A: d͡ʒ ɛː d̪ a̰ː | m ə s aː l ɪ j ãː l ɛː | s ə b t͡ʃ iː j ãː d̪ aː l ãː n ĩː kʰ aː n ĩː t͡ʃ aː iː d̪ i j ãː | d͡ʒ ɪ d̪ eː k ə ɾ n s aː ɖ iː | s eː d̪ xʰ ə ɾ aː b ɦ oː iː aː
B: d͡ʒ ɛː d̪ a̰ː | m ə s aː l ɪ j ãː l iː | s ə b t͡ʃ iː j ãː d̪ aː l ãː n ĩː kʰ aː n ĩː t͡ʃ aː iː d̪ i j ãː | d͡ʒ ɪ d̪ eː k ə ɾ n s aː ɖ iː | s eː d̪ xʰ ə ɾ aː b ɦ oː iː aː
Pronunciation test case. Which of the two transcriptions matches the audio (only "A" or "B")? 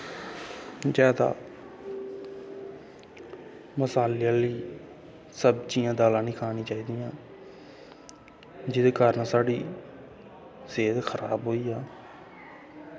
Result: B